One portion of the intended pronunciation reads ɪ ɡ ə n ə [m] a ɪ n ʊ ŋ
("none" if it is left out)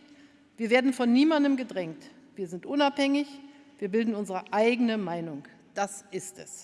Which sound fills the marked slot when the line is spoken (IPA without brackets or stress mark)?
m